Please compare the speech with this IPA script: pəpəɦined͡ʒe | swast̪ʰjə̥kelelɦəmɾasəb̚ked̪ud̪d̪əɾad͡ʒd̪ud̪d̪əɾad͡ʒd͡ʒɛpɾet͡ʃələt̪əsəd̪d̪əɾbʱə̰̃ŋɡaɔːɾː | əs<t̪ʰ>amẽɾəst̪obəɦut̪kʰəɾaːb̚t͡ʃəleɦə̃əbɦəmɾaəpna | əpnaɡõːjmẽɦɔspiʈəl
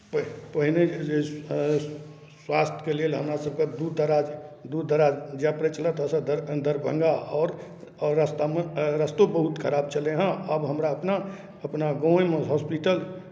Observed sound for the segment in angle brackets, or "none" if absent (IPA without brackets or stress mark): t̪